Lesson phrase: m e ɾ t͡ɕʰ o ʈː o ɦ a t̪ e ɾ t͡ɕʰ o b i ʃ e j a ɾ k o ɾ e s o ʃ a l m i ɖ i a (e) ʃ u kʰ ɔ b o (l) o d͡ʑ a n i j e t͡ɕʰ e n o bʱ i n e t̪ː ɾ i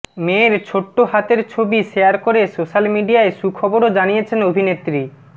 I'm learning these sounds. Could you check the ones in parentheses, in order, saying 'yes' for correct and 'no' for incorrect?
yes, no

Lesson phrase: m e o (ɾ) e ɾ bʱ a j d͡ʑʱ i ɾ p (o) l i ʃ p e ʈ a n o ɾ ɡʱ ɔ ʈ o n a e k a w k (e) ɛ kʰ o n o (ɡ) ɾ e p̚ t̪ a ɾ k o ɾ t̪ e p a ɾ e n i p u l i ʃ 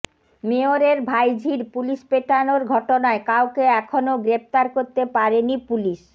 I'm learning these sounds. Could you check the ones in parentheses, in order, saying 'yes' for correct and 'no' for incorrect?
yes, no, yes, yes

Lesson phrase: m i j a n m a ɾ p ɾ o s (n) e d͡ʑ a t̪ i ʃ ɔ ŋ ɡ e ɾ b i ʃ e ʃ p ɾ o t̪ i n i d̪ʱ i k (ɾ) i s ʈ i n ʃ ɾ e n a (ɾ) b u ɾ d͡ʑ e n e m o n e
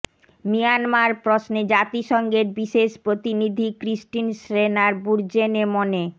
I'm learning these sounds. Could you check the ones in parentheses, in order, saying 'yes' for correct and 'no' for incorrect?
yes, yes, yes

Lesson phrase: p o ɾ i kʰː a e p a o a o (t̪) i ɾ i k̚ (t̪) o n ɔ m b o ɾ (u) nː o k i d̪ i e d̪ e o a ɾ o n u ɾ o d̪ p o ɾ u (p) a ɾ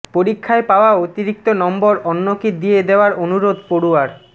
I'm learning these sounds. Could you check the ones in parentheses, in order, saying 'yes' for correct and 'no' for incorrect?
yes, yes, no, no

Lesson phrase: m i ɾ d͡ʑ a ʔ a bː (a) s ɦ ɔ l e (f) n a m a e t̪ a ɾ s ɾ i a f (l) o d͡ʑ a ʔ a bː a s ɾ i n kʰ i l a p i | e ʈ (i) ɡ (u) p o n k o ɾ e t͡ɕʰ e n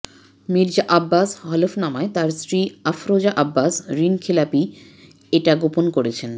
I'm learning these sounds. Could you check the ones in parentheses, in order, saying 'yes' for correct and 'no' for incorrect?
yes, yes, no, no, no

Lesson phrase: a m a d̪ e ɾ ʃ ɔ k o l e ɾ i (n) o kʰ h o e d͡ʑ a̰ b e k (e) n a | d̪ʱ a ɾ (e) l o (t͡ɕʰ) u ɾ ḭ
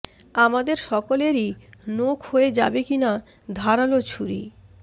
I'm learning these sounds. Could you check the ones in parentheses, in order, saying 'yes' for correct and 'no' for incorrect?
yes, no, no, yes

